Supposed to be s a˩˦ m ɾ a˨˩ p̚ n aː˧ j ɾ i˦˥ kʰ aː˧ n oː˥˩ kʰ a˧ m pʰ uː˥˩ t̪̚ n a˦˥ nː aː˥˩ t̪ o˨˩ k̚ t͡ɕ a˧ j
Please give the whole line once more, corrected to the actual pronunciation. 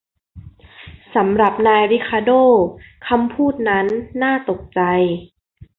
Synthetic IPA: s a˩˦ m ɾ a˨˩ p̚ n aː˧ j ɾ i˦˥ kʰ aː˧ d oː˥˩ kʰ a˧ m pʰ uː˥˩ t̪̚ n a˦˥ nː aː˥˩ t̪ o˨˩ k̚ t͡ɕ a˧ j